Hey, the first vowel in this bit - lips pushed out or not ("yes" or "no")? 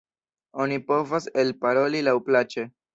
yes